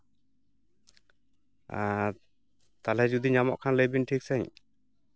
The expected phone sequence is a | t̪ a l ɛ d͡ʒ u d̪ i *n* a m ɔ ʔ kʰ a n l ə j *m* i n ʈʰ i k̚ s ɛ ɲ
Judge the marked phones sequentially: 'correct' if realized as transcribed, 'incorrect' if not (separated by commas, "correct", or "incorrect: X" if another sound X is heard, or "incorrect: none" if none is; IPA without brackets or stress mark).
incorrect: ɲ, incorrect: b